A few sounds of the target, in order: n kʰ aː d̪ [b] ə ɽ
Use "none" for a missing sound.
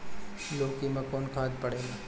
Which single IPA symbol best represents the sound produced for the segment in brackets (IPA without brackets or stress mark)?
p